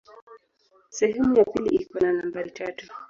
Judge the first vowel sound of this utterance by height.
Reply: mid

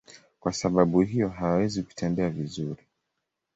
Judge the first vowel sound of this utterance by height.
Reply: low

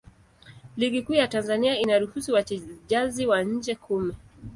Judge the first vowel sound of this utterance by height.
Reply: high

